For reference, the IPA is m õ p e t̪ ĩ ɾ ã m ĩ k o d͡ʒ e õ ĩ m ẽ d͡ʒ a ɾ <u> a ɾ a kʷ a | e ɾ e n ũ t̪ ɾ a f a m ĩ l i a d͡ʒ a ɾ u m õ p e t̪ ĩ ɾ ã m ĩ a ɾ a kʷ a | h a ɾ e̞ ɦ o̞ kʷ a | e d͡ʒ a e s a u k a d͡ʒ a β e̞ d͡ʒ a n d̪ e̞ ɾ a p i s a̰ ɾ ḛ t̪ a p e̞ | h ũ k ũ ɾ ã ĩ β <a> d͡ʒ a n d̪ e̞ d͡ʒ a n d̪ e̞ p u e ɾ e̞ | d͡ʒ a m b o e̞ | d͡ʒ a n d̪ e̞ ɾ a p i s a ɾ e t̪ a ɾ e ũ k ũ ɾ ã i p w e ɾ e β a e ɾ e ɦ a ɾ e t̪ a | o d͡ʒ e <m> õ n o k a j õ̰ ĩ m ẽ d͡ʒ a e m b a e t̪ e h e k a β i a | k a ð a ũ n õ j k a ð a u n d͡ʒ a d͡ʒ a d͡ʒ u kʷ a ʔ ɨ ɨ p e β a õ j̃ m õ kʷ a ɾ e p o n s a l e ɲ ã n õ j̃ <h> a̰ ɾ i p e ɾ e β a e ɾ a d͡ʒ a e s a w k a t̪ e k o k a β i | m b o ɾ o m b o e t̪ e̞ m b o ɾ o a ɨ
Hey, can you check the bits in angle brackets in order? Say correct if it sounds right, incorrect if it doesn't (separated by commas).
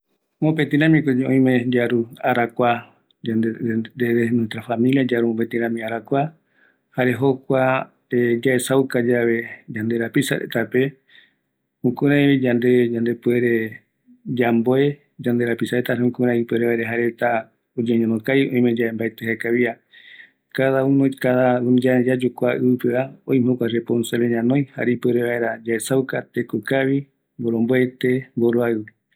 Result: correct, incorrect, incorrect, correct